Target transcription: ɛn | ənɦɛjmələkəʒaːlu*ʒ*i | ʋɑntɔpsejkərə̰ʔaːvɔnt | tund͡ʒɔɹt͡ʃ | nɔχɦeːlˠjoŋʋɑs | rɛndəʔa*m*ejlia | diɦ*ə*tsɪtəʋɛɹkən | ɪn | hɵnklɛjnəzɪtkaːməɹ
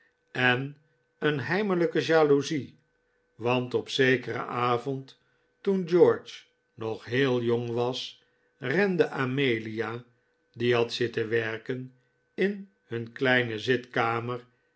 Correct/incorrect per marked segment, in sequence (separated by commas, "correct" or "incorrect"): incorrect, correct, incorrect